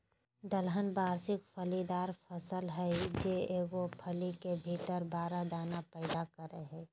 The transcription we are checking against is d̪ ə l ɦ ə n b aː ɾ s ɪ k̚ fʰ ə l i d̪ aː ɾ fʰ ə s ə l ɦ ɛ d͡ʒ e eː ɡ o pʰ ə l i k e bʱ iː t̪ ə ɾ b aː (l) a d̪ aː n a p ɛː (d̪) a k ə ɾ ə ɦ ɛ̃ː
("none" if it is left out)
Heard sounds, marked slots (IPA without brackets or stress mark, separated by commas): ɾ, d̪